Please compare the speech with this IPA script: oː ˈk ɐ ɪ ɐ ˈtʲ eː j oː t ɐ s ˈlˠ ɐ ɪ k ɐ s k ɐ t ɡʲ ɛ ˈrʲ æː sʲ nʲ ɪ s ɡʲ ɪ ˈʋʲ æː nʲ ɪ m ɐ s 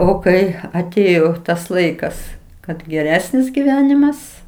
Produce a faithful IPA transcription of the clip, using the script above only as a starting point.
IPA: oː ˈk ɐ ɪ ɐ ˈtʲ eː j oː t ɐ s ˈlˠ ɐ ɪ k ɐ s k ɐ t ɡʲ ɛ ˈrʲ æː sʲ nʲ ɪ s ɡʲ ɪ ˈʋʲ æː nʲ ɪ m ɐ s